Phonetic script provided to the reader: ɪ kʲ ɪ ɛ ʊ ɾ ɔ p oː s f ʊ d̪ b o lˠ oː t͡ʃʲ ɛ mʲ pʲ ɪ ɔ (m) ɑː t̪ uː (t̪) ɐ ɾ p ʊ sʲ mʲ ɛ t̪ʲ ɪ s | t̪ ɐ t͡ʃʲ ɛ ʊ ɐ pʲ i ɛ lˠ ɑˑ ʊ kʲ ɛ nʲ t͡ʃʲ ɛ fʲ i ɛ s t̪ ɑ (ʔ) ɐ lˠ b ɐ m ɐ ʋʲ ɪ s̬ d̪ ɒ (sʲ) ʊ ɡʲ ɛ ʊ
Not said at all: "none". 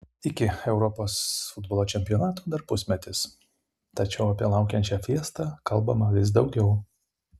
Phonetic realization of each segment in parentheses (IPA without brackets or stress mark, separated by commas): n, d̪, k, none